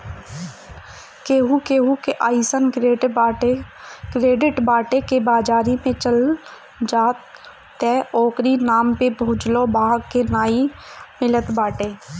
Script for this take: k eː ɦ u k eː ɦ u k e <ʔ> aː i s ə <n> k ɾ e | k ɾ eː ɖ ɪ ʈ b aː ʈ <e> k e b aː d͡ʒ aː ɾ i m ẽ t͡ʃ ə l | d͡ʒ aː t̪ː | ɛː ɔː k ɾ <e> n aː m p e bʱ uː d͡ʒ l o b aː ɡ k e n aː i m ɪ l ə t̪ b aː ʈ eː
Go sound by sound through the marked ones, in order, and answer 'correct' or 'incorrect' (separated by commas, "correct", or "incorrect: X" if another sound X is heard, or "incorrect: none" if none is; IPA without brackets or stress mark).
correct, correct, correct, incorrect: i